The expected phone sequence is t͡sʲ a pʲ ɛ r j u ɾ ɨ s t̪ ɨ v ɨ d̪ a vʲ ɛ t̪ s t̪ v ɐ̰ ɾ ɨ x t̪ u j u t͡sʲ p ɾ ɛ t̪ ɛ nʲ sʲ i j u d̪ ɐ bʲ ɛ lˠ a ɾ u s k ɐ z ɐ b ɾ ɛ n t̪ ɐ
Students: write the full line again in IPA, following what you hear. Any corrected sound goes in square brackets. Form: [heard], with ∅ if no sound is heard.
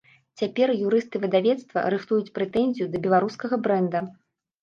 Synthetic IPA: t͡sʲ a pʲ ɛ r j u ɾ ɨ s t̪ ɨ v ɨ d̪ a vʲ ɛ t̪ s t̪ v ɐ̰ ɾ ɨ x t̪ u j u t͡sʲ p ɾ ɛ t̪ ɛ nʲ [zʲ] i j u d̪ ɐ bʲ ɛ lˠ a ɾ u s k ɐ [ɣ] ɐ b ɾ ɛ n [d̪] ɐ